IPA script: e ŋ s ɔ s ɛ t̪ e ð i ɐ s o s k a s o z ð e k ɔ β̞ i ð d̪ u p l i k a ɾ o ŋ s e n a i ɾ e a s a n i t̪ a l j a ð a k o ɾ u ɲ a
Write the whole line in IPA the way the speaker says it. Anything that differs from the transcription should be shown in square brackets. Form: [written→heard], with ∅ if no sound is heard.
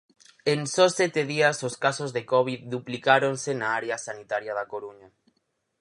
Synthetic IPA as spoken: e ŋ s ɔ s ɛ t̪ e ð i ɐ s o s k a s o z ð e k ɔ β̞ i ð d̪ u p l i k a ɾ o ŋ s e n a [i→a] ɾ e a s a n i t̪ a [l→ɾ] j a ð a k o ɾ u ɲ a